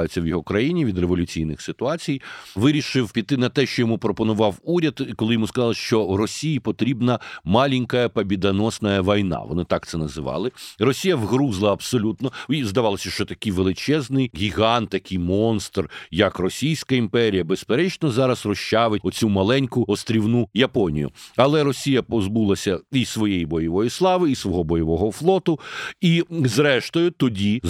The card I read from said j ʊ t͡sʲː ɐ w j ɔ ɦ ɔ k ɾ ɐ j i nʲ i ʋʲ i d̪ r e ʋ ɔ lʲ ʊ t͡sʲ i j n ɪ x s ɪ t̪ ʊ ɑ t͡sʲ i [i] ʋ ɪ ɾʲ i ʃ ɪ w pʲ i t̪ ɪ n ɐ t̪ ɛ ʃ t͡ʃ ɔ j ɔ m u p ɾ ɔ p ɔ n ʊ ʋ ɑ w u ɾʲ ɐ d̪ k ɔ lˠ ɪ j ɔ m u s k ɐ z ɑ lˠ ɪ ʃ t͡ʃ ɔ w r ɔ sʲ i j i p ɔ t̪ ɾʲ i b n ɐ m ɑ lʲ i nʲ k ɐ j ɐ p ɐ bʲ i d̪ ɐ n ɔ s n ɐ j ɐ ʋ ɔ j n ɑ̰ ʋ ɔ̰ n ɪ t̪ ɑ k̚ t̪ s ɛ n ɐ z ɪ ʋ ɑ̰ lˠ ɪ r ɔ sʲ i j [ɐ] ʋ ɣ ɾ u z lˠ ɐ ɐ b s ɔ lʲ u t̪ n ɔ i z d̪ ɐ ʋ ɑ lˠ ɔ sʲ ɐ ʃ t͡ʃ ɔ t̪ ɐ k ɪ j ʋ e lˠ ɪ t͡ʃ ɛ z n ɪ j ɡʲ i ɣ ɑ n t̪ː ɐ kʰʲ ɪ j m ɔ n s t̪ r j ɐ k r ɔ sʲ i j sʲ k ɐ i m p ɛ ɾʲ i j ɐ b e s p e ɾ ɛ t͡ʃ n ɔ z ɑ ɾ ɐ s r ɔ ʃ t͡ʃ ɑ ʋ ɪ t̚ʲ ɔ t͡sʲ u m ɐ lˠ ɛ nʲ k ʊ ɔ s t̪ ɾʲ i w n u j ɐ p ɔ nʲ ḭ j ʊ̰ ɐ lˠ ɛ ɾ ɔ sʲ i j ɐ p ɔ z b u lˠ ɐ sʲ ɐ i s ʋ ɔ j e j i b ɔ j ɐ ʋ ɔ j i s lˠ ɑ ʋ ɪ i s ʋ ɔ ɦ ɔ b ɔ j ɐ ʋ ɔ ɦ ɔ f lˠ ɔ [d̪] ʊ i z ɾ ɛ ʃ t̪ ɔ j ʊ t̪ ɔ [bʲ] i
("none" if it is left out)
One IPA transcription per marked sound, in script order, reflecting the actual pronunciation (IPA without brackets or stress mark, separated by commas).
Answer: j, ɐ, t̪, dʲ